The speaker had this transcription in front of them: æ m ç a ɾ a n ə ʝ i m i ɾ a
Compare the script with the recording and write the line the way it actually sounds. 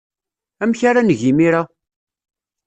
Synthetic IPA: æ m ç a ɾ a n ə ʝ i m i ɾ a